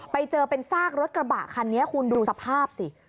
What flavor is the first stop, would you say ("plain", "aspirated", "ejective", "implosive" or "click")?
plain